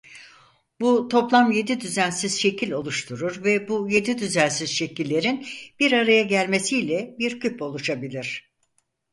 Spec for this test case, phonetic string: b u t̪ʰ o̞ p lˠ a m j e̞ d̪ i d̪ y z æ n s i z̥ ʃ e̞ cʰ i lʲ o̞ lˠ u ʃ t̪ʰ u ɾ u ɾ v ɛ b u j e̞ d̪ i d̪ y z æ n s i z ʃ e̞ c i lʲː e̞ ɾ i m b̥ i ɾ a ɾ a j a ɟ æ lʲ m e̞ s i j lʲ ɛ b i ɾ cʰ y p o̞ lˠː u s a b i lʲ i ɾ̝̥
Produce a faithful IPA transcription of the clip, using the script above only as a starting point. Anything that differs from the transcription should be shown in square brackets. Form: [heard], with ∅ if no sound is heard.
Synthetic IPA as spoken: b u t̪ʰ o̞ p lˠ a m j e̞ d̪ i d̪ y z æ n s i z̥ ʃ e̞ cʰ i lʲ o̞ lˠ u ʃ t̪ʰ u ɾ u ɾ v ɛ b u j e̞ d̪ i d̪ y z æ n s i z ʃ e̞ c i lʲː e̞ ɾ i [n] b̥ i ɾ a ɾ a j a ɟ æ lʲ m e̞ s i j lʲ ɛ b i ɾ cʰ y p o̞ [lˠ] u [ʃ] a b i lʲ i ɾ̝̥

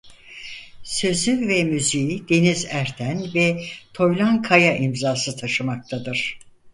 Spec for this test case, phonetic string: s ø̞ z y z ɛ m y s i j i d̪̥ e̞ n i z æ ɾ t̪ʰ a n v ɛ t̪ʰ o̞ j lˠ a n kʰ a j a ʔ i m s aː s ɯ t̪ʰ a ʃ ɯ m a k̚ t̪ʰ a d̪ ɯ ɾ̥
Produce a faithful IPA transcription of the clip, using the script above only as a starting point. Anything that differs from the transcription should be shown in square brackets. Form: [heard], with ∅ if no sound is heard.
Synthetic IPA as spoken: s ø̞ z y [v] ɛ m y [z] i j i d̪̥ e̞ n i z æ ɾ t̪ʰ [æ] n v ɛ t̪ʰ o̞ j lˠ a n kʰ a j a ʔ i m [z] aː s ɯ t̪ʰ a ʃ ɯ m a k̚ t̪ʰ a d̪ ɯ ɾ̥

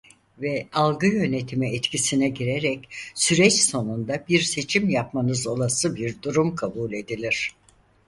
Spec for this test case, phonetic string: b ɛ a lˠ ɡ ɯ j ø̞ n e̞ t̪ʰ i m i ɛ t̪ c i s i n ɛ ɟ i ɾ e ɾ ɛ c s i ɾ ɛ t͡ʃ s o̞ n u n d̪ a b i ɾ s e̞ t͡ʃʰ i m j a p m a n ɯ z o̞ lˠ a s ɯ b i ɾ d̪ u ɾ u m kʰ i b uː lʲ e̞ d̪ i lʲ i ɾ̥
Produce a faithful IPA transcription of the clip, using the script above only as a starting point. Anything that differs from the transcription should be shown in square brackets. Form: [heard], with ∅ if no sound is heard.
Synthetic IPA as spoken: [v] ɛ a lˠ ɡ ɯ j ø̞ n e̞ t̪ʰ i m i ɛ t̪ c i s i n ɛ ɟ i ɾ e ɾ ɛ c s [y] ɾ ɛ t͡ʃ s o̞ n u n d̪ a b i ɾ s e̞ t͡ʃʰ i m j a p m a n ɯ z o̞ lˠ a s ɯ b i ɾ d̪ u ɾ u m kʰ [a] b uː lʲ e̞ d̪ i lʲ i ɾ̥

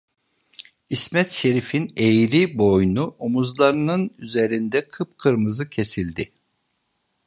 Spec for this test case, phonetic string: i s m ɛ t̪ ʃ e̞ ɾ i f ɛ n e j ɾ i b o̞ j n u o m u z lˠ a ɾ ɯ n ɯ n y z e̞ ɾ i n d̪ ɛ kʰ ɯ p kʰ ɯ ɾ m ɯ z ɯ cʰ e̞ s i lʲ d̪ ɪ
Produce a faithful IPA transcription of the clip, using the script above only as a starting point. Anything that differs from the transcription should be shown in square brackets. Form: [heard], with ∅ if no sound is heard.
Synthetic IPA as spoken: i s m ɛ t̪ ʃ e̞ ɾ i f [i] n e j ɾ i b o̞ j n u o m u z lˠ a ɾ ɯ n ɯ n y z e̞ ɾ i n d̪ ɛ kʰ ɯ p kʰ ɯ ɾ m ɯ z ɯ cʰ e̞ s i lʲ d̪ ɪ

